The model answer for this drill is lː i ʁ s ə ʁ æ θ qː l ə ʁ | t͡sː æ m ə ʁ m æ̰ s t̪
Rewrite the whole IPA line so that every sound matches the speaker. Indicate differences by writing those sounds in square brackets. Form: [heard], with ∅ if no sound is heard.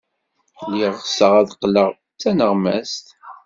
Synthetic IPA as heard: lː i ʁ s ə ʁ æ [ð] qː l ə ʁ | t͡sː æ [n] ə ʁ m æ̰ s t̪